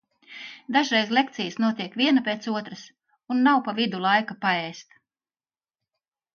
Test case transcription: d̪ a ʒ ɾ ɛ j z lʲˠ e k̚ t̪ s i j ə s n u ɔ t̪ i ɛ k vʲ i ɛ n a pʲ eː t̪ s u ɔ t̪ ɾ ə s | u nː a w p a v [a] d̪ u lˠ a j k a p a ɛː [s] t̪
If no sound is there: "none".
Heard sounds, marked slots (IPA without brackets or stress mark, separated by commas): i, s